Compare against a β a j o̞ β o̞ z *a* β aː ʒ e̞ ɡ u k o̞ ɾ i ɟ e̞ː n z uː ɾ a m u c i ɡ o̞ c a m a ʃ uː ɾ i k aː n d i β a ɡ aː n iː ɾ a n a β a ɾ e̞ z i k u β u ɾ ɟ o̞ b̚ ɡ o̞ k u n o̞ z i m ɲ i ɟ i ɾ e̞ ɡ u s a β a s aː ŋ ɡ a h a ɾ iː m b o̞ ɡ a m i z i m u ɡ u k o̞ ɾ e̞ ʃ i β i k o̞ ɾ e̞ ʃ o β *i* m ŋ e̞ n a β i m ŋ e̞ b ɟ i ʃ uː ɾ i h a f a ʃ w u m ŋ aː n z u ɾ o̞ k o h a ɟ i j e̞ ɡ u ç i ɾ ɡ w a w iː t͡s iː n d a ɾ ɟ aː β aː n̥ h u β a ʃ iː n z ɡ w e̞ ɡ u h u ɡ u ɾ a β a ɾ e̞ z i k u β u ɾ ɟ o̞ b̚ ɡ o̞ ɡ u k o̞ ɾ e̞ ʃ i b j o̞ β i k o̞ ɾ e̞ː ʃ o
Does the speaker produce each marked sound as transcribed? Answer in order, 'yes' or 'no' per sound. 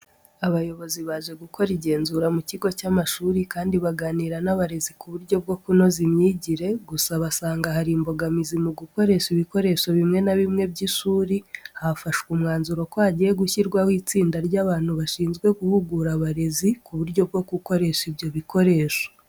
no, yes

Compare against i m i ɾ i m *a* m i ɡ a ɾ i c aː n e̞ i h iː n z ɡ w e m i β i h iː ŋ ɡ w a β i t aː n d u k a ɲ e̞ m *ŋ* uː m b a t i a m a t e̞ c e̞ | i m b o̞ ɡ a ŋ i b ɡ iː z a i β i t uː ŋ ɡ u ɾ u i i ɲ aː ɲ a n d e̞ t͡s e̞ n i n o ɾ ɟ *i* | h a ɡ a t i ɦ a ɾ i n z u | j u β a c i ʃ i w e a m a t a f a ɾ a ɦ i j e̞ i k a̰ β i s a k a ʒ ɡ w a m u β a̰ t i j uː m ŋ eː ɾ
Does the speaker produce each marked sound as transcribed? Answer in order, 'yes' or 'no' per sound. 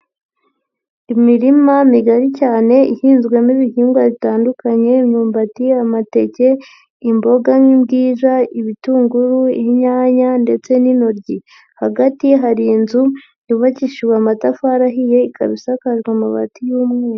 yes, no, yes

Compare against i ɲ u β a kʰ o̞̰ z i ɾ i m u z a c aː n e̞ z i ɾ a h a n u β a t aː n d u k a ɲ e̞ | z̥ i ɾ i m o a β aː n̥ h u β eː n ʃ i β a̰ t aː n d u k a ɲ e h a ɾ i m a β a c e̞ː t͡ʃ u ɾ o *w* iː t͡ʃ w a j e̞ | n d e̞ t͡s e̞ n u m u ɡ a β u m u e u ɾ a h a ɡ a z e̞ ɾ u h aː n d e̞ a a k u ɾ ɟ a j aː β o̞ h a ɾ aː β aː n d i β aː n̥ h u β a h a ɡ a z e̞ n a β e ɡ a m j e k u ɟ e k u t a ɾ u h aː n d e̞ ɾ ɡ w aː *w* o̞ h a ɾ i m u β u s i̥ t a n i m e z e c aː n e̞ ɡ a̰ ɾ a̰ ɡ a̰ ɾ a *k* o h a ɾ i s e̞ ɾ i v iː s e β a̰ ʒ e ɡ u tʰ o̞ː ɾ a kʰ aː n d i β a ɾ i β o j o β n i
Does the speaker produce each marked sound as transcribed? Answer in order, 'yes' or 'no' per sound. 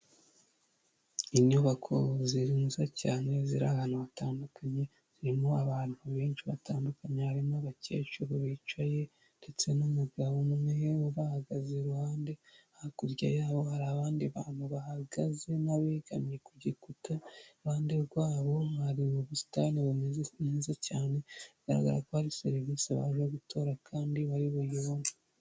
no, no, yes

